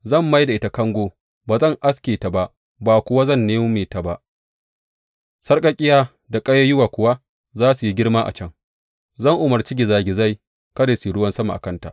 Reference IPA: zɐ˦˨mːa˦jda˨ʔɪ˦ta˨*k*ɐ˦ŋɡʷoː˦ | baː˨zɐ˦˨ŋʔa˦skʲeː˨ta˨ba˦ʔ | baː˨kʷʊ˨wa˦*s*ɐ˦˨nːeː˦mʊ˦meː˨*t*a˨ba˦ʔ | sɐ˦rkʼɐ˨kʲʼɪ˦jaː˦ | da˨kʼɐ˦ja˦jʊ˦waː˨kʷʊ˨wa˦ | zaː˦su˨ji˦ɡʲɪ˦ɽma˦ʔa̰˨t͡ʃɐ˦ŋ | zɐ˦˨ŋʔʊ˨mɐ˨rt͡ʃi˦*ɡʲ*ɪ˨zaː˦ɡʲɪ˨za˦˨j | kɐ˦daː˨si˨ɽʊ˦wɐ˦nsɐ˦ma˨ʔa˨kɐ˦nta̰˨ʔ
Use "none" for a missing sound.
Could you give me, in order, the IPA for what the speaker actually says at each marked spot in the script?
k, z, t, ɡʲ

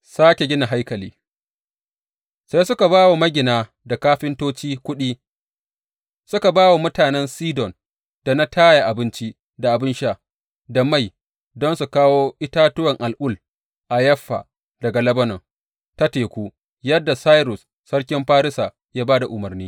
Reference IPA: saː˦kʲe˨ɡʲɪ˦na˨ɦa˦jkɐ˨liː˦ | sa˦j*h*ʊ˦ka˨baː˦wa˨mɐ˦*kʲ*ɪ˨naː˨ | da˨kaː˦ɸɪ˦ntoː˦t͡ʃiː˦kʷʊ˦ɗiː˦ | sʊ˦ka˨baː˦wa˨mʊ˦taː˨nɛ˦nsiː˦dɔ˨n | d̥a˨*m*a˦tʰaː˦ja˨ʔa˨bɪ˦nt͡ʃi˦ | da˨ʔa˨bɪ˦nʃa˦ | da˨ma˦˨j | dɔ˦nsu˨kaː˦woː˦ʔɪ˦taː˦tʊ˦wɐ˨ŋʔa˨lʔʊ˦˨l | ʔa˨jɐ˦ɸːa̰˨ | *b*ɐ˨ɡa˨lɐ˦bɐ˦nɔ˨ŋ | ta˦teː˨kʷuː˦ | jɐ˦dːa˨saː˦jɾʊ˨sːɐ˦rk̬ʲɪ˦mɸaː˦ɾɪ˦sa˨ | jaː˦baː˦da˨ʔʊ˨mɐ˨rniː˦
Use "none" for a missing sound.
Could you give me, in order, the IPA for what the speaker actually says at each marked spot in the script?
s, ɡʲ, n, d

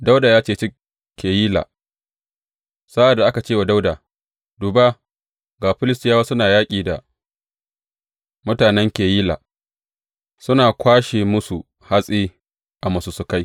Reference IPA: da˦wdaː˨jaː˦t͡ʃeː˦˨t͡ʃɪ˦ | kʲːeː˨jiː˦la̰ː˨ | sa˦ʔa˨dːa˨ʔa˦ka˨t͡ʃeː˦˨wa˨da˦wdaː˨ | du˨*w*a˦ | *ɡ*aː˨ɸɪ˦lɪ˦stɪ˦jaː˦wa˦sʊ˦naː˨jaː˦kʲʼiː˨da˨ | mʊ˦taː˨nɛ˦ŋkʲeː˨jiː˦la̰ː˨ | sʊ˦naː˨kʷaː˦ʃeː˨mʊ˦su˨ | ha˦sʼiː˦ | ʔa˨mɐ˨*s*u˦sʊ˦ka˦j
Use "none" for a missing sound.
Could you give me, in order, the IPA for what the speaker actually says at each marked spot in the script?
b, ɡ, s

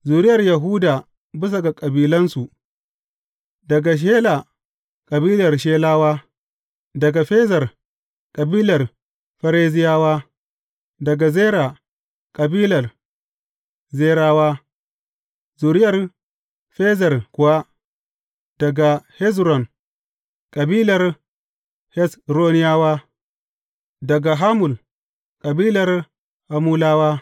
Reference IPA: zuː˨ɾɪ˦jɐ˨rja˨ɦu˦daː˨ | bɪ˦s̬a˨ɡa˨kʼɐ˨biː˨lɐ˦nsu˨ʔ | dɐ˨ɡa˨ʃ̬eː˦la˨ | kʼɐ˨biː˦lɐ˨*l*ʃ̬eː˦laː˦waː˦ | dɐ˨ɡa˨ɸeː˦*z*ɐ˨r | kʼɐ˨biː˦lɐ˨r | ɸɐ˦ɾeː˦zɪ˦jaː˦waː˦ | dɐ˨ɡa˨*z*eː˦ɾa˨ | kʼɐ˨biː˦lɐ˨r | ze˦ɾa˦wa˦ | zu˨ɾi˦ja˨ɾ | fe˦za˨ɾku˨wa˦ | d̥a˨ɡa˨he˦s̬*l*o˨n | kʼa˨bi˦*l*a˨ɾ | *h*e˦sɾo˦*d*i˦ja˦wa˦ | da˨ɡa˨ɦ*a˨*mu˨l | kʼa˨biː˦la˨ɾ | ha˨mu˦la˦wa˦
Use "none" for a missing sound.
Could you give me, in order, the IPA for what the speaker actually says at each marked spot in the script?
r, z, z, ɾ, l, h, n, a˦

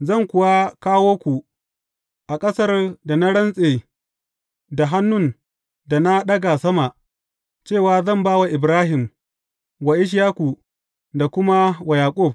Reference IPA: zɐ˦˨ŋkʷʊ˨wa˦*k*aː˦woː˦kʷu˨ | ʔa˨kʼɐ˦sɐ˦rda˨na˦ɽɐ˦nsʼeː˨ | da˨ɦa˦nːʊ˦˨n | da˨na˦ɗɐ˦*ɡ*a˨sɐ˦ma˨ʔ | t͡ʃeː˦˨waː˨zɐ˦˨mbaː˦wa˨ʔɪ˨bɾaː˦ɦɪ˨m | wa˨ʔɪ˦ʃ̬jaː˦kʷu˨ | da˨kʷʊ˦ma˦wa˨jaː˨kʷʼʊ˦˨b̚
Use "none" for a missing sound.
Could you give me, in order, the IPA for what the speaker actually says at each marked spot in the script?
k, ɡ

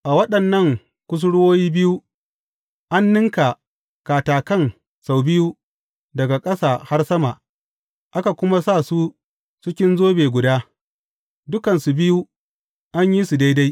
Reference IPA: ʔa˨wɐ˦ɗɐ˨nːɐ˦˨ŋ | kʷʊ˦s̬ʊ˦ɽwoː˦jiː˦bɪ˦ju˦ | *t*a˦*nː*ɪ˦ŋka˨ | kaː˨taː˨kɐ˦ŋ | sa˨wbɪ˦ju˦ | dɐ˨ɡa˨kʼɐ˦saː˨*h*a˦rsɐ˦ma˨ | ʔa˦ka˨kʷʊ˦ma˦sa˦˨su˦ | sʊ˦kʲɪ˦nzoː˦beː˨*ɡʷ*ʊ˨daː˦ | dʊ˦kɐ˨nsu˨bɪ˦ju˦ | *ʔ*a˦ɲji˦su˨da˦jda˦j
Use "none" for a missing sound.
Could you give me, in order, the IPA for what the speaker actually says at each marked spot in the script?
ʔ, nː, h, ɡʷ, ʔ

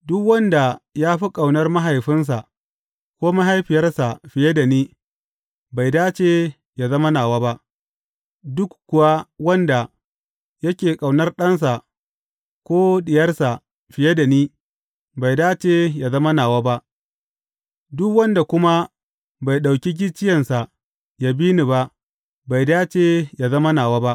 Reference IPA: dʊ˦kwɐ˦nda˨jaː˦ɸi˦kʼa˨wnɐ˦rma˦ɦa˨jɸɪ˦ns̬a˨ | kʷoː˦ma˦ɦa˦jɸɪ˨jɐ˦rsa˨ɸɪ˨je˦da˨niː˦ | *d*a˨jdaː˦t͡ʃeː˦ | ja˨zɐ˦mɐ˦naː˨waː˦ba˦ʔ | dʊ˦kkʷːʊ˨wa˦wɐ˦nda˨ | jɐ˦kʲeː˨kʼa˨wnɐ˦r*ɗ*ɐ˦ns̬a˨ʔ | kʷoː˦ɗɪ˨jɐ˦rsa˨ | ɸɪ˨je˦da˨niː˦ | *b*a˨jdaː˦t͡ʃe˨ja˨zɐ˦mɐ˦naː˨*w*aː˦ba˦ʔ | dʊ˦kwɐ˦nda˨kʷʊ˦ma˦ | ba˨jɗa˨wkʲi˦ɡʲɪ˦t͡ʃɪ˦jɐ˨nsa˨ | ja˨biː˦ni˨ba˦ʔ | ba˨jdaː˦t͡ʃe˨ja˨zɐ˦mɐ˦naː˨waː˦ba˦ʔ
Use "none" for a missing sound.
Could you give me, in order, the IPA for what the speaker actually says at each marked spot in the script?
b, ɗ, b, w

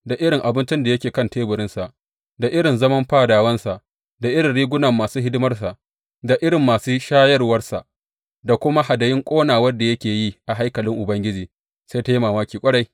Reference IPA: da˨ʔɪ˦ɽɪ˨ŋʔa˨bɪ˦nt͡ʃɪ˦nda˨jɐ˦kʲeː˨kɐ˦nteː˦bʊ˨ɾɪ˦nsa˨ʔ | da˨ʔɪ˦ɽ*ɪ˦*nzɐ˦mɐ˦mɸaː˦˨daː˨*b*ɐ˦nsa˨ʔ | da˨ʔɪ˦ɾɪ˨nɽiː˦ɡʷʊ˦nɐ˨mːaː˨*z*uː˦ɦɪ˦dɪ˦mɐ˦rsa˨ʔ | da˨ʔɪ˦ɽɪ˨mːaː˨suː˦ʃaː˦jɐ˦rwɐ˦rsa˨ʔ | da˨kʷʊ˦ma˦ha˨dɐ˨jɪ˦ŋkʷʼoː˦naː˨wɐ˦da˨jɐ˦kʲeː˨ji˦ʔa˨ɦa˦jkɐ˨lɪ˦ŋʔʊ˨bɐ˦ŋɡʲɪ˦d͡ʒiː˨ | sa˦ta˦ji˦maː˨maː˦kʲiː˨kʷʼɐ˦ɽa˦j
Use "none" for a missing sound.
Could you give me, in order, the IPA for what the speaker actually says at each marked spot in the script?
ɪ˨, w, s

